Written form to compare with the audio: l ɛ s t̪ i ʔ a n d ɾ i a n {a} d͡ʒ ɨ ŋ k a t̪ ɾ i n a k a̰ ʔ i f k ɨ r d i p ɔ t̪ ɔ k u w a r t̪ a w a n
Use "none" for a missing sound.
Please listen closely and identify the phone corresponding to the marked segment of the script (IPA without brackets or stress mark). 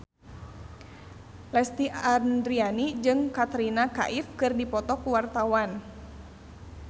i